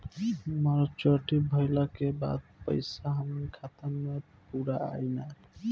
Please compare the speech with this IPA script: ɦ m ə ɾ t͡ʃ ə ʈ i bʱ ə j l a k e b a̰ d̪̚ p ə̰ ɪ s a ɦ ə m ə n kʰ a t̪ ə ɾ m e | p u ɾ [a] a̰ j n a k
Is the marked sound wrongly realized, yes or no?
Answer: no